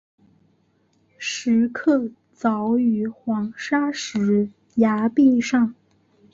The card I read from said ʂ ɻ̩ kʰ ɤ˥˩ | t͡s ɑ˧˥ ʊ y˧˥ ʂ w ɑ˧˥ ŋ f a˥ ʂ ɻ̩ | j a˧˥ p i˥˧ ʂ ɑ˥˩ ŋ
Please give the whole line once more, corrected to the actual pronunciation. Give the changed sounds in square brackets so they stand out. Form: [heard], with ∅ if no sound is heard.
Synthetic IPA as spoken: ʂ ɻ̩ kʰ ɤ˥˩ | t͡s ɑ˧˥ ʊ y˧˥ [x] w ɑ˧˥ ŋ [ʂ] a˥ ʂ ɻ̩ | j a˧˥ p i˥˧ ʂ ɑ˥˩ ŋ